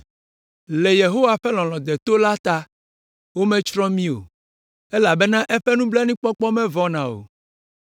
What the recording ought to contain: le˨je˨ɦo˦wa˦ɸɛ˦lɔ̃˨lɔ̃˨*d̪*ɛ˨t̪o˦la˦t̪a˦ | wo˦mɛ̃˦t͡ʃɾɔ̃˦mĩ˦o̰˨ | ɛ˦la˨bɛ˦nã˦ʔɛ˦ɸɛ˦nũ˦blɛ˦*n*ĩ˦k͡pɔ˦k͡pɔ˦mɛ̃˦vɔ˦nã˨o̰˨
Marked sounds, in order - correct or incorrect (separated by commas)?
correct, correct